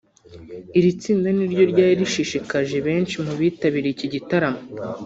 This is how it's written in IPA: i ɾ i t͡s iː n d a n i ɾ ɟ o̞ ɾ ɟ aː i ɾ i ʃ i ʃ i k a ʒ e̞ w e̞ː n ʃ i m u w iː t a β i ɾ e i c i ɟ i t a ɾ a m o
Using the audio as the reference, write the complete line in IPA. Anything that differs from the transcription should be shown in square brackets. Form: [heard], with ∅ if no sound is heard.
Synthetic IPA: i ɾ i t͡s iː n d a n i ɾ ɟ o̞ ɾ ɟ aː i ɾ i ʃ i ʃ i k a ʒ e̞ [β] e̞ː n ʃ i m u [β] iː t a β i ɾ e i c i ɟ i t a ɾ a m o

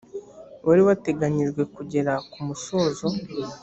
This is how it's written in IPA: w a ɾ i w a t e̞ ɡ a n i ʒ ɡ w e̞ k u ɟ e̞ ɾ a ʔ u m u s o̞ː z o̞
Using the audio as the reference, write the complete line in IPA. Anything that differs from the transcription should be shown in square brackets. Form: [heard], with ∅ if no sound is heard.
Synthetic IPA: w a ɾ i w a t e̞ ɡ a [ɲ] i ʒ ɡ w e̞ k u ɟ e̞ ɾ a [k] u m u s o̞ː z o̞

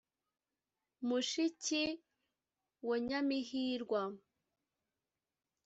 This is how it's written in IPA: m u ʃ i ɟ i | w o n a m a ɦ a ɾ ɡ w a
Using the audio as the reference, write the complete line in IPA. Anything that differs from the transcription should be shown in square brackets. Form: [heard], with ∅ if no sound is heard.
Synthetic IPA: m u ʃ i [c] i | w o [ɲ] a m [i] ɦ [i] ɾ ɡ w a

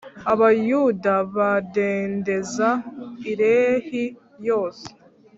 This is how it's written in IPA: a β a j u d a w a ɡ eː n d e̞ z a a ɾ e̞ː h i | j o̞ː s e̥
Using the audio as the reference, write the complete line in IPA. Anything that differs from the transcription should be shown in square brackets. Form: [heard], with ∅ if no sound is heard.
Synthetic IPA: a β a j u d a [β] a [d] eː n d e̞ z a [i] ɾ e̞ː h i | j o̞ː s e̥

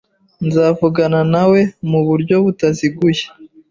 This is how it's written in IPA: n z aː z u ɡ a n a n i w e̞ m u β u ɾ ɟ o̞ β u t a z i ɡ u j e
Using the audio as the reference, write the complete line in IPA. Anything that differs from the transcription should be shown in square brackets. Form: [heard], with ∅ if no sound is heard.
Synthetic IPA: n z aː [v] u ɡ a n a n [a] w e̞ m u β u ɾ ɟ o̞ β u t a z i ɡ u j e

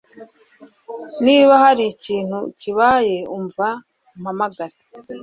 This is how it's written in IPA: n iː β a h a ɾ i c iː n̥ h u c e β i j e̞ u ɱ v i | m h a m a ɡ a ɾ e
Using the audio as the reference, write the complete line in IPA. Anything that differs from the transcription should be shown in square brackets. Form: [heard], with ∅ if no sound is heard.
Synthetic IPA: n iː β a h a ɾ i c iː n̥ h u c [i] β [a] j e̞ u ɱ v [a] | m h a m a ɡ a ɾ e

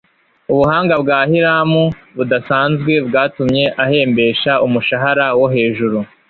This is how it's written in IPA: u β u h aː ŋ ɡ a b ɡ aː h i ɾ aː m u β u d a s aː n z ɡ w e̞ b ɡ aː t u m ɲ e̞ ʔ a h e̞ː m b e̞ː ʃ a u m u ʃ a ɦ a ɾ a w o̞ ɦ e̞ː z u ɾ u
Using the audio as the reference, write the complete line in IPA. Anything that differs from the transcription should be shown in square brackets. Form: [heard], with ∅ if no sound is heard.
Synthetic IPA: u β u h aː ŋ ɡ a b ɡ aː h i ɾ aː m u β u d a s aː n z ɡ w e̞ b ɡ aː t u m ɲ e̞ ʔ a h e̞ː m b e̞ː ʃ a u m u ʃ a ɦ a ɾ a w o̞ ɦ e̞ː [ʒ] u ɾ u

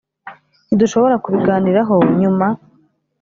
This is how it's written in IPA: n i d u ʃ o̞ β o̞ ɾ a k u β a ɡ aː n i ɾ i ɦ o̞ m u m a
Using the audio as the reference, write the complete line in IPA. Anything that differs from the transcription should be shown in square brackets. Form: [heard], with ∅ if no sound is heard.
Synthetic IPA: n i d u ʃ o̞ β o̞ ɾ a k u β [i] ɡ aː n i ɾ [a] ɦ o̞ [ɲ] u m a

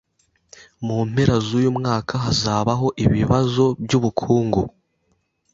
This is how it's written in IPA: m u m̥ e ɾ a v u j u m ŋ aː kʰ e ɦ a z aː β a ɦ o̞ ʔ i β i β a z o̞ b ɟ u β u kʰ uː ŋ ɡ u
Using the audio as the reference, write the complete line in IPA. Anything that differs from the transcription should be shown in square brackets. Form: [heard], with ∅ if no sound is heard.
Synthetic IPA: m u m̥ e ɾ a [z] u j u m ŋ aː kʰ [a] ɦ a z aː β a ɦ o̞ ʔ i β i β a z o̞ b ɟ u β u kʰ uː ŋ ɡ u

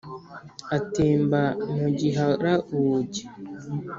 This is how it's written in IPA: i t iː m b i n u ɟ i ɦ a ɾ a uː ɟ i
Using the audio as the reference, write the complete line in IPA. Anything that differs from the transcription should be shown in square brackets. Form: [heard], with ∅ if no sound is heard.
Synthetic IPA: [a] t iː m b [a] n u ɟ i ɦ a ɾ a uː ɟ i

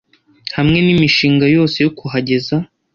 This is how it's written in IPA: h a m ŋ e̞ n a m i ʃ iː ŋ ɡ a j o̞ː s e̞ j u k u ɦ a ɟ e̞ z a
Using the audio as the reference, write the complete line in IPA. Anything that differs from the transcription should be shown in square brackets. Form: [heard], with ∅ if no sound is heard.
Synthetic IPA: h a m ŋ e̞ n [i] m i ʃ iː ŋ ɡ a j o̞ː s e̞ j [o] k u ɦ a ɟ e̞ z a

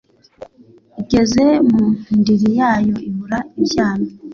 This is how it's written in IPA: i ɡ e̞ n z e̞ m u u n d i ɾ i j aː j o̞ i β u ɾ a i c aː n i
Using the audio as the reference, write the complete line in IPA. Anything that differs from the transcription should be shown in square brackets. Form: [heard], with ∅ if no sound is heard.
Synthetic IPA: i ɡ e̞ [∅] z e̞ m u u n d i ɾ i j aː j o̞ i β u ɾ a i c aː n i

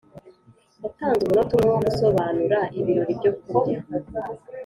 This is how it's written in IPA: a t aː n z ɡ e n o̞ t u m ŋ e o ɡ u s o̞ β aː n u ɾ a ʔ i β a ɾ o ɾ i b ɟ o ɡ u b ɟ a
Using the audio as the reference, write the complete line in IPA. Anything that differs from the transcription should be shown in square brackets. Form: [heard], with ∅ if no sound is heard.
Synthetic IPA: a t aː n z ɡ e n o̞ t u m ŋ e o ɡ u s o̞ β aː n u ɾ a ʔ i β [i] ɾ o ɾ i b ɟ o [k] u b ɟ a

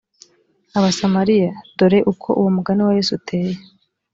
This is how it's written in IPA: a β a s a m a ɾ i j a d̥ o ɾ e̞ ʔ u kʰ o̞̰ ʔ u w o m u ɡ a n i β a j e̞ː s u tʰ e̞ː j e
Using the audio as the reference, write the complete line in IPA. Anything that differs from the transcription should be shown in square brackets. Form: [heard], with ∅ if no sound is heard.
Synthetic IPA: a β a s a m a ɾ i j a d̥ o ɾ e̞ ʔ u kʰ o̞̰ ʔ u w o m u ɡ a n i [w] a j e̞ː s u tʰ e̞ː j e

